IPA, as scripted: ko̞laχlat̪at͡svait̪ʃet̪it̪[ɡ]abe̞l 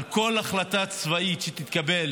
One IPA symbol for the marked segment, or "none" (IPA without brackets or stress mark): k